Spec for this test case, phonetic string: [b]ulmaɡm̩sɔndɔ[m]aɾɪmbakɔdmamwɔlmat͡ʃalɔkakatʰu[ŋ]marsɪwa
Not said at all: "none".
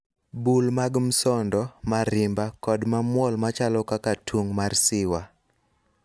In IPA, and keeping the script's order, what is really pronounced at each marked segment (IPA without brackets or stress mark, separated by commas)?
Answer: b, m, ŋ